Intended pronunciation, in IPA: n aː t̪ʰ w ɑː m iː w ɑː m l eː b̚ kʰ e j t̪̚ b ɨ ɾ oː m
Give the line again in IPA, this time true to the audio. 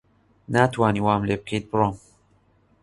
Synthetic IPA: n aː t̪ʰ w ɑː n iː w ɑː m l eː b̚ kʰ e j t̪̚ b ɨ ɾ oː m

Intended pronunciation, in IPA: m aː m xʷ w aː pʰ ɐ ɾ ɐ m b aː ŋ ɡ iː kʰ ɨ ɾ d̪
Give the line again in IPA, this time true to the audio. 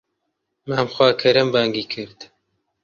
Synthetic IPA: m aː m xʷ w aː kʰ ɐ ɾ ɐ m b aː ŋ ɡ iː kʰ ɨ ɾ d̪

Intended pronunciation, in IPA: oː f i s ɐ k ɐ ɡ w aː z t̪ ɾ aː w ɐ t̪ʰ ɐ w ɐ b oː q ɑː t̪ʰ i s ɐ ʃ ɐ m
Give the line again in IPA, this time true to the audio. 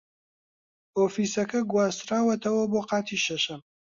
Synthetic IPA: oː f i s ɐ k ɐ ɡ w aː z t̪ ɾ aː w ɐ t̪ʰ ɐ w ɐ b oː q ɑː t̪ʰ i ʃ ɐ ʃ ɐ m

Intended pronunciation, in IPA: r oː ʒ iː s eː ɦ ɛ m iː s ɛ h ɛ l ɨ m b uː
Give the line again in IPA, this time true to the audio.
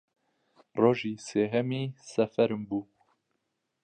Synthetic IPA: r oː ʒ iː s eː ɦ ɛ m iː s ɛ f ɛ ɾ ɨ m b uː

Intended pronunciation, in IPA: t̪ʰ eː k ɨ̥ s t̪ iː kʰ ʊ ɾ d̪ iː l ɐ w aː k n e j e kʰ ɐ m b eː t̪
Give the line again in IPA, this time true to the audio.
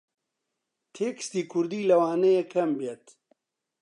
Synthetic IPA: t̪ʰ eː k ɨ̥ s t̪ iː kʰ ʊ ɾ d̪ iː l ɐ w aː n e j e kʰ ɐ m b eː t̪

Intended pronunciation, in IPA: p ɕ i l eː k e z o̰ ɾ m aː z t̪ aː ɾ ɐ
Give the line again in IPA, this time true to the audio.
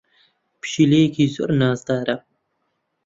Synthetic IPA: p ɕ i l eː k i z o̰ ɾ n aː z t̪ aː ɾ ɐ

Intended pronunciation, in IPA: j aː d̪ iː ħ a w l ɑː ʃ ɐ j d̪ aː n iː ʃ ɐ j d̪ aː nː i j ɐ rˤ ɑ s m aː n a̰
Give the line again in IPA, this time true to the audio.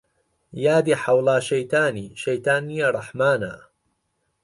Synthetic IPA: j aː d̪ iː ħ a w l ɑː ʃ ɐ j t̪ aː n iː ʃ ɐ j t̪ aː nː i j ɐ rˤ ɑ ħ m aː n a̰

